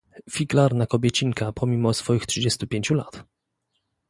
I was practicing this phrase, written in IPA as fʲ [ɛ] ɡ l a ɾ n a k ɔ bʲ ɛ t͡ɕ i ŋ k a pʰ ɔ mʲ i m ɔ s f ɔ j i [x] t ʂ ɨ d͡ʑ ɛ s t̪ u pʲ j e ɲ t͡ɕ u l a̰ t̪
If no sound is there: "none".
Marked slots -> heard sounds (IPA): i, x

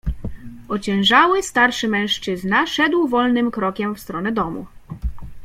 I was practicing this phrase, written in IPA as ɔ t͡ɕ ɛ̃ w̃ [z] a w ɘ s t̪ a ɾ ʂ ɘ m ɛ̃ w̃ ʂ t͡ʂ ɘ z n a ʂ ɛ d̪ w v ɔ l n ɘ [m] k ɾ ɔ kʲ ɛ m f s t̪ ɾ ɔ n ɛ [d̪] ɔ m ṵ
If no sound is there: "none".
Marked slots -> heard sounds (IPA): ʐ, m, d̪

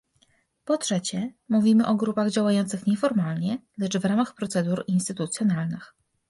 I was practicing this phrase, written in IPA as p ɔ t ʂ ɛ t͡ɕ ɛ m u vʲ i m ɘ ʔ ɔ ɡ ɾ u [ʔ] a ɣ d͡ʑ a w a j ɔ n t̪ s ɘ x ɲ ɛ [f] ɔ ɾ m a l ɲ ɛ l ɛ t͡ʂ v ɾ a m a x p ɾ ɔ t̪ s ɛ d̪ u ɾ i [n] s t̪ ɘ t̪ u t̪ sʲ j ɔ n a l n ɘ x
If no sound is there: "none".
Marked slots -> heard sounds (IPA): p, f, n

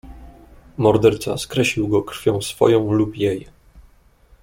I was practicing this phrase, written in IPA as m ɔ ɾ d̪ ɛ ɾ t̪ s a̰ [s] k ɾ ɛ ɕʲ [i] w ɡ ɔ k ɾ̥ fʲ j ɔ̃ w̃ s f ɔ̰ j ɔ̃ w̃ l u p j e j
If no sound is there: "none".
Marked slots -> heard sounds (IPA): s, i

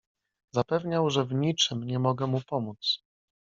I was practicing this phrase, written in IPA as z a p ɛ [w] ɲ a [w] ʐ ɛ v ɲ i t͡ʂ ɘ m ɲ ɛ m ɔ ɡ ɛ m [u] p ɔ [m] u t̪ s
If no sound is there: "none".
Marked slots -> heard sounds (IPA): v, w, u, m

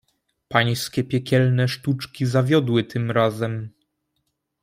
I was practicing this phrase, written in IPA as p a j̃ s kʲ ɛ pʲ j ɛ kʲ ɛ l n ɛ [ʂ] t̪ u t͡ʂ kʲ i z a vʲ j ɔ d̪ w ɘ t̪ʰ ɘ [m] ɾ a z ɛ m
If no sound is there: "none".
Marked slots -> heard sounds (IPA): ʂ, m

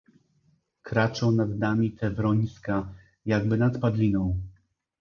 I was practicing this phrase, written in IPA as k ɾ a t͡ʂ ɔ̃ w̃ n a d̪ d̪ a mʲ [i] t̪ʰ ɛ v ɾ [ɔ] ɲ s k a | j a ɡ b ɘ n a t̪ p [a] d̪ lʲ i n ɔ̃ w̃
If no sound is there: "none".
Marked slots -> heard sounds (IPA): i, ɔ, a

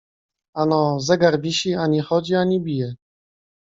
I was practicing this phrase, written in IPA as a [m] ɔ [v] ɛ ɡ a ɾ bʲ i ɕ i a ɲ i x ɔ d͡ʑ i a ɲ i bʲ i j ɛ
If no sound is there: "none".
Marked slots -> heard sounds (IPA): n, z

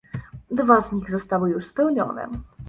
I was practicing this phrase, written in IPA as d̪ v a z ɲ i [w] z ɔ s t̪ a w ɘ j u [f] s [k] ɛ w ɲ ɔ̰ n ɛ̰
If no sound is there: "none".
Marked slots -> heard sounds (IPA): ɣ, ʂ, p

